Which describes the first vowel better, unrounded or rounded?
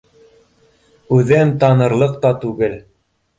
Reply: rounded